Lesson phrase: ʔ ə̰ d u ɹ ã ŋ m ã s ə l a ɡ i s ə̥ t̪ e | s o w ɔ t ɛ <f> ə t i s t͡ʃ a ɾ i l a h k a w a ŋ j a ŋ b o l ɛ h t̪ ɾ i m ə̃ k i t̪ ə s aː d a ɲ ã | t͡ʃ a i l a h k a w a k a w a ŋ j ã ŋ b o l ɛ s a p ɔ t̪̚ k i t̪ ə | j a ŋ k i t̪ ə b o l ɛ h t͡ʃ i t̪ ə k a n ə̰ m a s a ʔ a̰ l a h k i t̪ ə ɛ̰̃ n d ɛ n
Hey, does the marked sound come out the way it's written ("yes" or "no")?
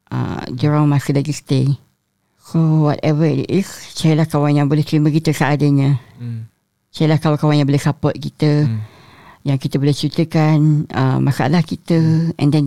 no